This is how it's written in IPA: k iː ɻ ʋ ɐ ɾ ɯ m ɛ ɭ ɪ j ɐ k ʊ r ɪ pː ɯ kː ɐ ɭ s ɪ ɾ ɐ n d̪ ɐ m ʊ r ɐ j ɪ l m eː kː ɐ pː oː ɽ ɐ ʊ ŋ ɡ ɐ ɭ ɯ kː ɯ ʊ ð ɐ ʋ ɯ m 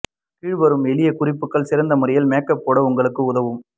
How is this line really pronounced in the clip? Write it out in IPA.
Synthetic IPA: k iː ɻ ʋ ɐ ɾ ɯ m ɛ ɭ ɪ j ɐ k ʊ r ɪ pː ɯ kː ɐ ɭ s ɪ ɾ ɐ n d̪ ɐ m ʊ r ɐ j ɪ l m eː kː ɐ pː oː ɽ ɐ ʊ ŋ ɡ ɐ ɭ ɯ kː ɯ ʊ ð ɐ ʋ ɯ m